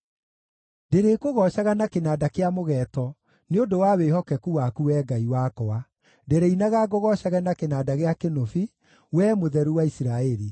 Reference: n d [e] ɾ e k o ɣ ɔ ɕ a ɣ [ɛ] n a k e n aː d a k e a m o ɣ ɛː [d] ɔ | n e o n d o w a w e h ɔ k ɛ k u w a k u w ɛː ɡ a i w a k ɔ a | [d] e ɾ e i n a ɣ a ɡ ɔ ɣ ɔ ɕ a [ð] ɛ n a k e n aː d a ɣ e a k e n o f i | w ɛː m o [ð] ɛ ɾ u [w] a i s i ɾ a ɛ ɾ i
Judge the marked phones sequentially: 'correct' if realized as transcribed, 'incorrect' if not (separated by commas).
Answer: correct, incorrect, incorrect, correct, incorrect, correct, correct